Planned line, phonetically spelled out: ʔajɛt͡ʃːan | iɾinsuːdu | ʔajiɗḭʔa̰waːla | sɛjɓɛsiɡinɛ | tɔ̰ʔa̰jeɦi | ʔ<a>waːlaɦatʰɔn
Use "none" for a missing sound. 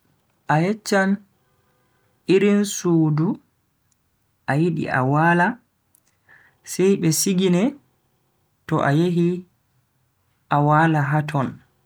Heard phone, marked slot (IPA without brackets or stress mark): a